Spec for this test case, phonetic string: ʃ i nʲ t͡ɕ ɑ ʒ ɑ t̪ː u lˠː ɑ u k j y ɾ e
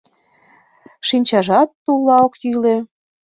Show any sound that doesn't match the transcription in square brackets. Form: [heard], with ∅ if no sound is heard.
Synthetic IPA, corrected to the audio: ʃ i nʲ t͡ɕ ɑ ʒ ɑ t̪ː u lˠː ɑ [o] k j y [l] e